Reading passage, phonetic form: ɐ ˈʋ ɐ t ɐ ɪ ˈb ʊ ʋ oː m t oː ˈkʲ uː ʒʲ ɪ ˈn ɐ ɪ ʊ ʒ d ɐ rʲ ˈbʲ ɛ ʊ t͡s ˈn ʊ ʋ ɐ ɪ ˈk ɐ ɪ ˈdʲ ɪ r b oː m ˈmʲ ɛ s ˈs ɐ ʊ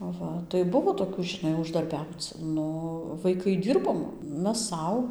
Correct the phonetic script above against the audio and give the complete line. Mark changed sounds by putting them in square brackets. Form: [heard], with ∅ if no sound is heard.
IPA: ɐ ˈʋ ɐ t ɐ ɪ ˈb ʊ ʋ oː [∅] t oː ˈkʲ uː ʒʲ ɪ ˈn ɐ ɪ ʊ ʒ d ɐ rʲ ˈbʲ ɛ ʊ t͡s ˈn ʊ ʋ ɐ ɪ ˈk ɐ ɪ ˈdʲ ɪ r b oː m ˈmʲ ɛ s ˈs ɐ ʊ